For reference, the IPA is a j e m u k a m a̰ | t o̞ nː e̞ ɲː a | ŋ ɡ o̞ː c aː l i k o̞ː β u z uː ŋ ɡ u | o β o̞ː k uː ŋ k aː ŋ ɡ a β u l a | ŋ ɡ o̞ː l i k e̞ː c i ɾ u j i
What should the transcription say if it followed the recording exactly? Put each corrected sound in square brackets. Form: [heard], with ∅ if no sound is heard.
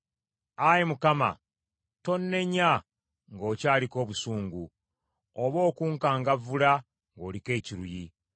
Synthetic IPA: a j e m u k a m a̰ | t o̞ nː e̞ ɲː a | ŋ ɡ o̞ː c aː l i k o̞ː β u [s] uː ŋ ɡ u | o β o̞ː k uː ŋ k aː ŋ ɡ a [v] u l a | ŋ ɡ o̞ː l i k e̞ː c i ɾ u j i